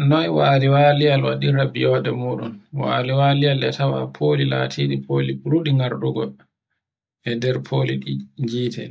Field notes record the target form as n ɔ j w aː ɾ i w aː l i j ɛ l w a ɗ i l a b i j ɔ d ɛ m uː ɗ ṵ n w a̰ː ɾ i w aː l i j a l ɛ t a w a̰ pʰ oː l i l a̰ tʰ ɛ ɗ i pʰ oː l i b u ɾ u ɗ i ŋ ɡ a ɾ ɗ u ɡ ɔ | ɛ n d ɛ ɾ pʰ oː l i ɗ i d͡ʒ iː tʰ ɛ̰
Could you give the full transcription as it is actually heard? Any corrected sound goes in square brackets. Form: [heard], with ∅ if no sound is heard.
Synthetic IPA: n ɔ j w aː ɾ i w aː l i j [a] l w a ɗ i [ɾ] a b i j ɔ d ɛ m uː ɗ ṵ n w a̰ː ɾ i w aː l i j a l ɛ t a w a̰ pʰ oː l i l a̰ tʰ [i] ɗ i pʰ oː l i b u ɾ u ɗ i ŋ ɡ a ɾ ɗ u ɡ ɔ | ɛ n d ɛ ɾ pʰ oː l i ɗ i d͡ʒ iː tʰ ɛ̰